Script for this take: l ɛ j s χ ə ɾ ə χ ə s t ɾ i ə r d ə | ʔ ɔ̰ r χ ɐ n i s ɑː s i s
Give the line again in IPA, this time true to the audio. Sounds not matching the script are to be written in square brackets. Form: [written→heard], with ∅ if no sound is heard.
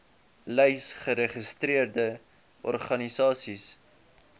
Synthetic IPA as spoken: l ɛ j s χ ə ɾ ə χ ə s t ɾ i ə r d ə | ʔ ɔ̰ r χ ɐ n i s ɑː s i s